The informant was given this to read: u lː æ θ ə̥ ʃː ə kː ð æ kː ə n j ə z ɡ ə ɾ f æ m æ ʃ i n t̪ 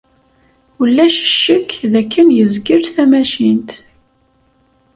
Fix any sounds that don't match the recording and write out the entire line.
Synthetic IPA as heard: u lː æ ʃ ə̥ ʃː ə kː ð æ kː ə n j ə z ɡ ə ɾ θ æ m æ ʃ i n t̪